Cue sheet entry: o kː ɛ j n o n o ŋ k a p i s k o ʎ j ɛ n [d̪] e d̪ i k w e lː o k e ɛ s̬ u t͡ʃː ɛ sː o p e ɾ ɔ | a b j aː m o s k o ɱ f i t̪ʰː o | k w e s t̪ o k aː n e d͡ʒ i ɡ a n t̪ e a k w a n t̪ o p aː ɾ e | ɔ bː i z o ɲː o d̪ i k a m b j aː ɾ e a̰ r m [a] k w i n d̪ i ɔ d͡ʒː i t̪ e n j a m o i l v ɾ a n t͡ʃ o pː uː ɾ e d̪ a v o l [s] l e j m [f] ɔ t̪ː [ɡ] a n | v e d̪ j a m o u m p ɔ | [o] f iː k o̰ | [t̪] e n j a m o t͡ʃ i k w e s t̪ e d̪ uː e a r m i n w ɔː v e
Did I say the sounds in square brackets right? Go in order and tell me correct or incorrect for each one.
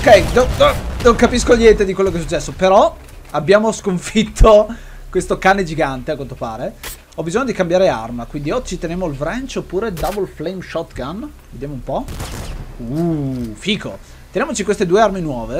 incorrect: t̪, correct, incorrect: f, incorrect: ʃ, correct, incorrect: u, correct

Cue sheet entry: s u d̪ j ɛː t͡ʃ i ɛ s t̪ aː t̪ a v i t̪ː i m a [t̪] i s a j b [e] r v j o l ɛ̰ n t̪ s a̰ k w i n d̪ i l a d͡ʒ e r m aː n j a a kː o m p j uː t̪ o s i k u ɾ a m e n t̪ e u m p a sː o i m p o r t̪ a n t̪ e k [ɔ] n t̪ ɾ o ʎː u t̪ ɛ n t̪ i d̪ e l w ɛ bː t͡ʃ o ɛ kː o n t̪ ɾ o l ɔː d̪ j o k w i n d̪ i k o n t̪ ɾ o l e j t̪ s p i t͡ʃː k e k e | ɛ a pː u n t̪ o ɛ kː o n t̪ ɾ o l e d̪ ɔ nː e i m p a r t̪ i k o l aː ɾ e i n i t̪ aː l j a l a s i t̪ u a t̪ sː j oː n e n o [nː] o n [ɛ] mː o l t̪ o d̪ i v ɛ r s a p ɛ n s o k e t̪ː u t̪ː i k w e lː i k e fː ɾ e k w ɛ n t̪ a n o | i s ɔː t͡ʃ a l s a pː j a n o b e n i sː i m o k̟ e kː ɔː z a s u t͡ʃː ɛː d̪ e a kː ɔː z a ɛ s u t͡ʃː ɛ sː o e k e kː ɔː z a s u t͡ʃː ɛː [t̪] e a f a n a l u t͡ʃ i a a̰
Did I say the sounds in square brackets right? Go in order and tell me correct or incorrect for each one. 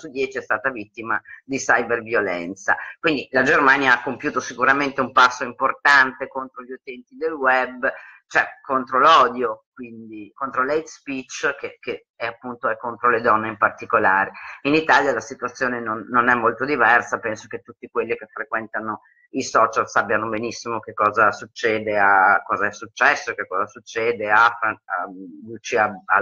incorrect: d̪, correct, incorrect: o, correct, correct, incorrect: d̪

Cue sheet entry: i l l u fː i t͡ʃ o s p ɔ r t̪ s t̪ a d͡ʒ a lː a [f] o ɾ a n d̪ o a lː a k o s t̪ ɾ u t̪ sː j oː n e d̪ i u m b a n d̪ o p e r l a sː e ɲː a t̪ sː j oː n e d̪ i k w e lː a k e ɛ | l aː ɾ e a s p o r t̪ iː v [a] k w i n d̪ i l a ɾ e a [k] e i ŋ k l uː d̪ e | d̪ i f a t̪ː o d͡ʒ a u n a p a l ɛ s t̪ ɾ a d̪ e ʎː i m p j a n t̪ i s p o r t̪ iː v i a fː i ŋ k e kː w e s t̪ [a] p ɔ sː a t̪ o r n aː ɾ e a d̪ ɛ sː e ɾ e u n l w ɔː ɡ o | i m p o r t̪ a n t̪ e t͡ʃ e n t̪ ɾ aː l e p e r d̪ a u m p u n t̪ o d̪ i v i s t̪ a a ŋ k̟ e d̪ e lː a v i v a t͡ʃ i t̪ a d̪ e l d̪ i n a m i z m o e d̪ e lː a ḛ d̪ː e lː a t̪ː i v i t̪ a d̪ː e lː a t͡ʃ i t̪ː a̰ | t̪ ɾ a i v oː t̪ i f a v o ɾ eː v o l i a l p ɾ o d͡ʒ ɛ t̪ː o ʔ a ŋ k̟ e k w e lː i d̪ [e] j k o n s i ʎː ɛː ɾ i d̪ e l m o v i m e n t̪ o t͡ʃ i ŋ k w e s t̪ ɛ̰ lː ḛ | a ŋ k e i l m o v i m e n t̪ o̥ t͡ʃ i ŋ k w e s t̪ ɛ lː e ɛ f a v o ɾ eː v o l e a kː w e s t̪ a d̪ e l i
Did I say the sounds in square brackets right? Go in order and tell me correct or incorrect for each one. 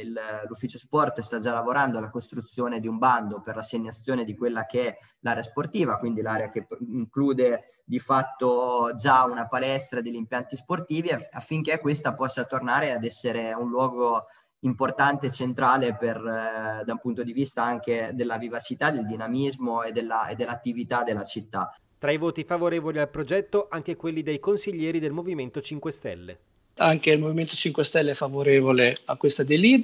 incorrect: v, correct, correct, correct, correct

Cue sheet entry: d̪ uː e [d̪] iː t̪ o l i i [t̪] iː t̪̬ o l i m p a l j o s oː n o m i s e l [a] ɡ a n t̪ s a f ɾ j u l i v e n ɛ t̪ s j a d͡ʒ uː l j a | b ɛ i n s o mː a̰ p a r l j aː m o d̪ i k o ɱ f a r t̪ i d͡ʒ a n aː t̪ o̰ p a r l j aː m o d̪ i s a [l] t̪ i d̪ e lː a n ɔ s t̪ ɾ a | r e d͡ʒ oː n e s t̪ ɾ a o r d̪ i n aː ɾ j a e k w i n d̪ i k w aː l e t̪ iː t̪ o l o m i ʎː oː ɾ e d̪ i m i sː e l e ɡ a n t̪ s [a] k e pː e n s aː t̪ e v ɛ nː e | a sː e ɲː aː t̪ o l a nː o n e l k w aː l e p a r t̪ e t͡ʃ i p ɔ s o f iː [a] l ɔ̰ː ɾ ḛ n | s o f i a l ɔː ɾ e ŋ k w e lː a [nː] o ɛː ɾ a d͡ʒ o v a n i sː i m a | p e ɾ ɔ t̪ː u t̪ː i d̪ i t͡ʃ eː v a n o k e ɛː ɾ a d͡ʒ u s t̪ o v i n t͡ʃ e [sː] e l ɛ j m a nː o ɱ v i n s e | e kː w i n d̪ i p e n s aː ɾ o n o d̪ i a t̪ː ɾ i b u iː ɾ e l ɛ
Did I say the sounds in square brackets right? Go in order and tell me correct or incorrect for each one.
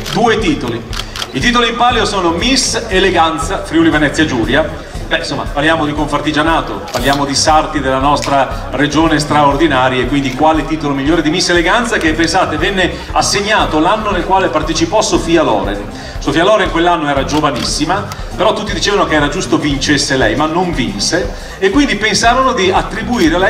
incorrect: t̪, correct, incorrect: e, incorrect: r, correct, correct, correct, correct

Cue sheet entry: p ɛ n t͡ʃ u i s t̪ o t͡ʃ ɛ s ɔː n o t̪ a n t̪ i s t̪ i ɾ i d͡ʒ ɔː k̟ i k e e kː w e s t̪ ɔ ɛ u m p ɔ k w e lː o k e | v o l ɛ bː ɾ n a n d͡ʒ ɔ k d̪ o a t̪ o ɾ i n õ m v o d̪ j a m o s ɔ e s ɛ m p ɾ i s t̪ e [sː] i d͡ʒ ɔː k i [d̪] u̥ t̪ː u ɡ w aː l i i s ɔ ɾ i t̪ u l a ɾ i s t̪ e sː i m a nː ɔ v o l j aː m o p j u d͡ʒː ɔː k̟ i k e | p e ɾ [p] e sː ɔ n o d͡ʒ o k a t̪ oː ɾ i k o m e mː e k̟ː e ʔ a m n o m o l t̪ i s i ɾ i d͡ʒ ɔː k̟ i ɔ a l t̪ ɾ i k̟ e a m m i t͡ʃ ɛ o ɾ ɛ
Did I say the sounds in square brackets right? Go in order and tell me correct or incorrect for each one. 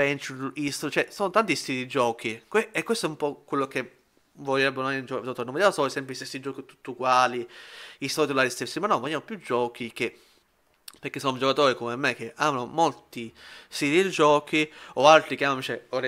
correct, incorrect: t̪, incorrect: k

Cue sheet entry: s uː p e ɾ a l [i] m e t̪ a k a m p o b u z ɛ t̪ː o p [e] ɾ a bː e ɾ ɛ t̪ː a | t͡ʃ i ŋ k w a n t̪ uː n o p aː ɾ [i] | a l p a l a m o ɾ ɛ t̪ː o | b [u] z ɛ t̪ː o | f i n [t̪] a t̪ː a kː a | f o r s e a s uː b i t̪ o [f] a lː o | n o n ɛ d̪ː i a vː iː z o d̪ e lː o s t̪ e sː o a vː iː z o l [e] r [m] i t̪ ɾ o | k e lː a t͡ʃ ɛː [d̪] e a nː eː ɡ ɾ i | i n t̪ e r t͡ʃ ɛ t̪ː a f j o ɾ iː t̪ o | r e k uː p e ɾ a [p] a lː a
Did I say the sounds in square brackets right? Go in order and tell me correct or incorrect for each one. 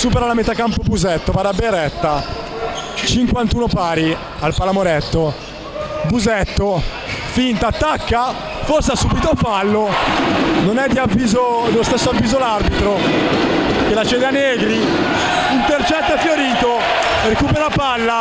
incorrect: a, incorrect: a, correct, correct, correct, correct, incorrect: a, incorrect: b, correct, correct

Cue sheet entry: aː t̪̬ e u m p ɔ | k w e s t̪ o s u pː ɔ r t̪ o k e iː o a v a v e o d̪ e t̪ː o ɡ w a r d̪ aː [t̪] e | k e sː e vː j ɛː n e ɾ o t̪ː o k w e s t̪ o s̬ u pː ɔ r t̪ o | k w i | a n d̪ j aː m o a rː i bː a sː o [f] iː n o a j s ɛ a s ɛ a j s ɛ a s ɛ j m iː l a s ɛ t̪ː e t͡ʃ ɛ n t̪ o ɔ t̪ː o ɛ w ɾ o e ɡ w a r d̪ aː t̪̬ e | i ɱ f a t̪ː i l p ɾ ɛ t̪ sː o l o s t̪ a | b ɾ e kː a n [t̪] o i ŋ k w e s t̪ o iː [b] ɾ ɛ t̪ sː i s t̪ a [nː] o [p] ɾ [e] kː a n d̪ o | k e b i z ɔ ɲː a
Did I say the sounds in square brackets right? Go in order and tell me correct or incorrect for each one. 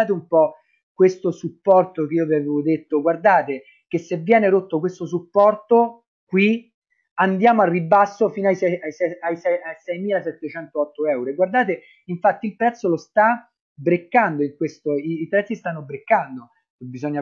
correct, correct, incorrect: d̪, incorrect: p, correct, incorrect: b, correct

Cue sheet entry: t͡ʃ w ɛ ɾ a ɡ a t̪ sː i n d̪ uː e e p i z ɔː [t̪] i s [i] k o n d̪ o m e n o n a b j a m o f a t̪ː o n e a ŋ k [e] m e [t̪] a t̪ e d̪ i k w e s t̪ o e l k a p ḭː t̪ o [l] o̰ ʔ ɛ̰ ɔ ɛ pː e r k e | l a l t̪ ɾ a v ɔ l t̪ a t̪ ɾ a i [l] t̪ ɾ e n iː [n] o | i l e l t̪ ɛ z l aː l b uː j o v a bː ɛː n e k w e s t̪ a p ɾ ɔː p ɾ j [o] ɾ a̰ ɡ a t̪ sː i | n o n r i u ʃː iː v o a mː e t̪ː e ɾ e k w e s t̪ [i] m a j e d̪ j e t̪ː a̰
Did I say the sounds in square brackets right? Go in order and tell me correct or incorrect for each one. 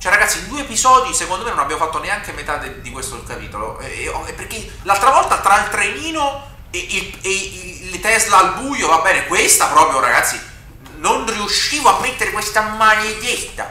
incorrect: d̪, incorrect: e, correct, correct, correct, correct, correct, correct, incorrect: a

